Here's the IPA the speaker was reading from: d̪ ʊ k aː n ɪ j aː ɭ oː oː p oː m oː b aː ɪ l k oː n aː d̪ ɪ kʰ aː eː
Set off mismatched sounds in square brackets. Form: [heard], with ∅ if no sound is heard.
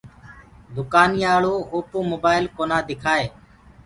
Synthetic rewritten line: d̪ ʊ k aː n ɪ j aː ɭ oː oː p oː m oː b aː ɪ l k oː n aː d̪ ɪ kʰ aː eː